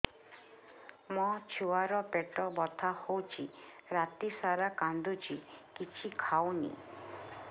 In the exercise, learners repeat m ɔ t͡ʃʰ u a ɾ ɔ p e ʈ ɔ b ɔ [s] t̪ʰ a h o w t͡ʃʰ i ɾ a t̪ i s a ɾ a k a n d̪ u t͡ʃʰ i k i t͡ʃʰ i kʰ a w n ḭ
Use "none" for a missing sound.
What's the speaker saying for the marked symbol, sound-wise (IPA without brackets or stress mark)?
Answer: none